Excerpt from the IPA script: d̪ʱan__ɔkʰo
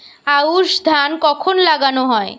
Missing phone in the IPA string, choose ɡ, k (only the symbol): k